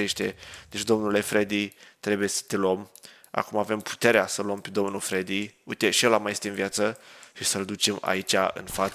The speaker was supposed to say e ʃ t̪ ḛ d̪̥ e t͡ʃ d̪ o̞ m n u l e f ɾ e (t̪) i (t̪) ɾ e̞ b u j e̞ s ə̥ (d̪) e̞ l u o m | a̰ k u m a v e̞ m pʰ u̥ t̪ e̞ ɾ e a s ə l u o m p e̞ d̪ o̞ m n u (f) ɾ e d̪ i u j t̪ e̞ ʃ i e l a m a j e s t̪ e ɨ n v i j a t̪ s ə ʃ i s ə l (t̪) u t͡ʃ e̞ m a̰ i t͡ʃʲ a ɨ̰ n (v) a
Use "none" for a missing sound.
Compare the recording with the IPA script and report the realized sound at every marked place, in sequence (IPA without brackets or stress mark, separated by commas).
d̪, t̪, t̪, f, d̪, f